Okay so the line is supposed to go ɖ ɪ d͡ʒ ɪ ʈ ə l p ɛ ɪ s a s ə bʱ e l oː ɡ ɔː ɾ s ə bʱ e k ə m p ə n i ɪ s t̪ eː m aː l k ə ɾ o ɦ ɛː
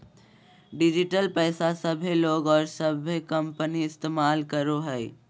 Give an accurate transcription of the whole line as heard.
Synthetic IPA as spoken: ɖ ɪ d͡ʒ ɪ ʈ ə l p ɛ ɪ s a s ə bʱ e l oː ɡ ɔː ɾ s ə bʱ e k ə m p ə n i ɪ s t̪ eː m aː l k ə ɾ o ɦ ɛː